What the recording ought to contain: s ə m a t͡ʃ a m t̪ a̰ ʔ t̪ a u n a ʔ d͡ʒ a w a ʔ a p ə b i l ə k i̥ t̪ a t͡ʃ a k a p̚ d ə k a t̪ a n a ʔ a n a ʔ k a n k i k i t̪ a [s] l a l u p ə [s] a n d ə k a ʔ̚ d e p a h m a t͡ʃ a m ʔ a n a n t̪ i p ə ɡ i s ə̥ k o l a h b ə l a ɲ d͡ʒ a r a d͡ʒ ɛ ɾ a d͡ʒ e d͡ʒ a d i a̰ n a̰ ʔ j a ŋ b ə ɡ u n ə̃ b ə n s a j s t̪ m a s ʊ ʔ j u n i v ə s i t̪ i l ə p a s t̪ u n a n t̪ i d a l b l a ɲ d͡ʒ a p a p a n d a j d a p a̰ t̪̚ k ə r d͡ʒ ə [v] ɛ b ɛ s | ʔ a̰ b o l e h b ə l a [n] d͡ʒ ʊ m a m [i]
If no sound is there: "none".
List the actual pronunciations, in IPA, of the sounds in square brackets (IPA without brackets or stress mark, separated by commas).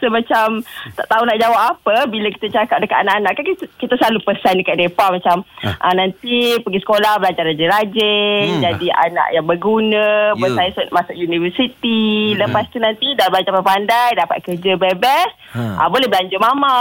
s, s, b, ɲ, a